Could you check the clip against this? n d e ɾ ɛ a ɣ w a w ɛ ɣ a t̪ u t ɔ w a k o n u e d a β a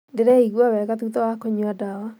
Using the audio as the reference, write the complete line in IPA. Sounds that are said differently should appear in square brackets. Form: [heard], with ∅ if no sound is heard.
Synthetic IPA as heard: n d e ɾ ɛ [i] ɣ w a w ɛ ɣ a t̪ u t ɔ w a k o [ɲ] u [a] d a [w] a